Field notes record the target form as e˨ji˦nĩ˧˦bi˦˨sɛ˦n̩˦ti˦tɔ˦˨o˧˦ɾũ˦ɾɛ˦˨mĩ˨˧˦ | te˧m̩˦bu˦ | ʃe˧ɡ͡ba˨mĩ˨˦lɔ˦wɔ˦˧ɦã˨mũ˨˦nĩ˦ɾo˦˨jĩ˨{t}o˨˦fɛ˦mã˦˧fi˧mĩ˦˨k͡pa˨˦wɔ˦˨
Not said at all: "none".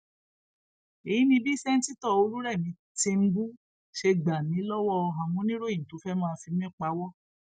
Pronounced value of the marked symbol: t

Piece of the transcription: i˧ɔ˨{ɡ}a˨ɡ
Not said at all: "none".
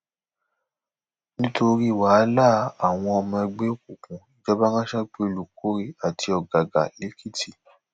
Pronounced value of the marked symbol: ɡ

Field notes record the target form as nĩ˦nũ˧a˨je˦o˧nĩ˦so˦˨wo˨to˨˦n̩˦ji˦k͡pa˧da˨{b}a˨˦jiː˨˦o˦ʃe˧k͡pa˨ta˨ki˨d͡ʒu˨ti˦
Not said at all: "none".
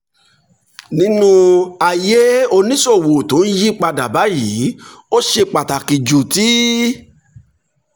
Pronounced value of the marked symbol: b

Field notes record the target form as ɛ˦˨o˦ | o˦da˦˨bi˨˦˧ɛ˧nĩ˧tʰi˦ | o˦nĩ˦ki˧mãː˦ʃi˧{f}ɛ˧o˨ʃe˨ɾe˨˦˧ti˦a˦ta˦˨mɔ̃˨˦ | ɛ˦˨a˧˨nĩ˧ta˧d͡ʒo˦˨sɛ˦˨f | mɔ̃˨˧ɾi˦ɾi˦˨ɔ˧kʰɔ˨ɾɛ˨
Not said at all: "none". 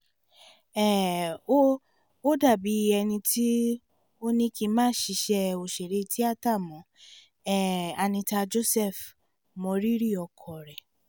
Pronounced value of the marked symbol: ʃ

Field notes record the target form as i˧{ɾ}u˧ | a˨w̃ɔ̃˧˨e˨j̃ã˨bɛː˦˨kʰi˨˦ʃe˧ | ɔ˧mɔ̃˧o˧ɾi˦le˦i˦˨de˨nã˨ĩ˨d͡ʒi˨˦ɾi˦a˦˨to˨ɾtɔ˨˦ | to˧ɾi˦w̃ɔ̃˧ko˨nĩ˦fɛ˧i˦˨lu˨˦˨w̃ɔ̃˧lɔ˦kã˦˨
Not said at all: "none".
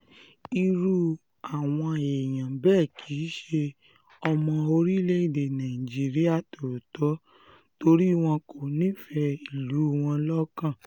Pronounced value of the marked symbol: ɾ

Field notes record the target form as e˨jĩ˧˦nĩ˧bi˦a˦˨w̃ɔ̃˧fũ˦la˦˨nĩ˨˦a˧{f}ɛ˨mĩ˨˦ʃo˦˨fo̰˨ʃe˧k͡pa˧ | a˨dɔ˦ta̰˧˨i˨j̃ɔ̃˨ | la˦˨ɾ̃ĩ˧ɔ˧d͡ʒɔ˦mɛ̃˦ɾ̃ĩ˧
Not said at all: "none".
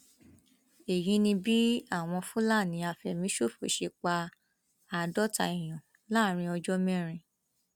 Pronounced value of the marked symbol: f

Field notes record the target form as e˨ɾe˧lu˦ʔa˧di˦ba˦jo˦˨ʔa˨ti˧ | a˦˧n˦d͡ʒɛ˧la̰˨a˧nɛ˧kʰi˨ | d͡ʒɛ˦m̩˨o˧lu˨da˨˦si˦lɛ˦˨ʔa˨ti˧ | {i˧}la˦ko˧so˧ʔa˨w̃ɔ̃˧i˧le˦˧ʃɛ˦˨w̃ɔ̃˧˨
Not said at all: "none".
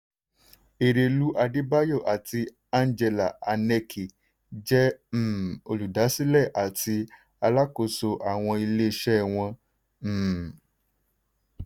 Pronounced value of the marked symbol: a˧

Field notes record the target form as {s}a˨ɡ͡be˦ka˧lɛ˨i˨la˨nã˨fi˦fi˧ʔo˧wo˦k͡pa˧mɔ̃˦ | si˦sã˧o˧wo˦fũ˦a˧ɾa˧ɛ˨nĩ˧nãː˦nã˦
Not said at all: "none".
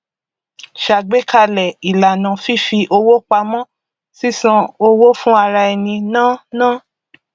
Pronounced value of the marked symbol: ʃ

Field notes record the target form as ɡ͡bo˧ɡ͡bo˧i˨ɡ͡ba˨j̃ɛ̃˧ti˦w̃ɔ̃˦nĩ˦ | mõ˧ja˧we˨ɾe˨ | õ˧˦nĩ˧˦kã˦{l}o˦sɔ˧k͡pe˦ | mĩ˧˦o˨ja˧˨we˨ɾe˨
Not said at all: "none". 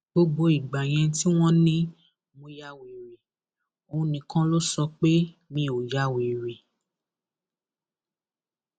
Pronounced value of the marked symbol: l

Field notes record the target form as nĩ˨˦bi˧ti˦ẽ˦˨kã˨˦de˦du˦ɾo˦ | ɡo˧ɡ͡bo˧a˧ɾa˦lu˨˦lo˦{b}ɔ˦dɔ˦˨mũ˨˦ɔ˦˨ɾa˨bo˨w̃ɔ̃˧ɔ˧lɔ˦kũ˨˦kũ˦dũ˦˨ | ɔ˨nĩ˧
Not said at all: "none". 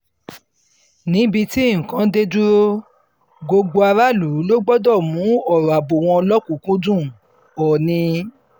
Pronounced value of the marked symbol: ɡ͡b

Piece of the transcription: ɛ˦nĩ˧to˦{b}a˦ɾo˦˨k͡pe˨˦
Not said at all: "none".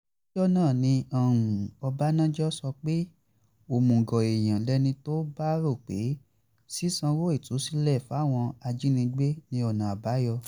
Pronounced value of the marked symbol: b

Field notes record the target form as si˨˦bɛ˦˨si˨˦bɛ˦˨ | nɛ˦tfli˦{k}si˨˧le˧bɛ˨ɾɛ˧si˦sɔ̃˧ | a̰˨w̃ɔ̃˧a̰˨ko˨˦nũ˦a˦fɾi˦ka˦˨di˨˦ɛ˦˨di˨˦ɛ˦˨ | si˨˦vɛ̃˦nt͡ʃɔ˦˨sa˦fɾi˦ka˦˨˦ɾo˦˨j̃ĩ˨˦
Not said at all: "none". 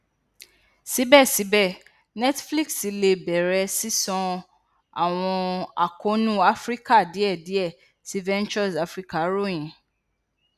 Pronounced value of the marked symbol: k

